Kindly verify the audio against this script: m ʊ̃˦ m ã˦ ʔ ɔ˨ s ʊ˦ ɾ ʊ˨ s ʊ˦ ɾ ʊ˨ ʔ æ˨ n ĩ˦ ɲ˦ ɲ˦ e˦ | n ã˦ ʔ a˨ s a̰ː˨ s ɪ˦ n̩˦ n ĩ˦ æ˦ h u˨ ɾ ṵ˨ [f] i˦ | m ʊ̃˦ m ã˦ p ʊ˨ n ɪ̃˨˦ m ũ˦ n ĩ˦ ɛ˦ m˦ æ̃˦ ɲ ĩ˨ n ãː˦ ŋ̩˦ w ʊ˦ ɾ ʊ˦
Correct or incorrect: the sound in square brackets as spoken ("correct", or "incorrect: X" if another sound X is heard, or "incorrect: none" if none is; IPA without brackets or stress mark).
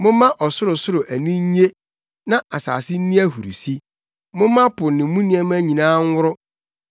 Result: incorrect: s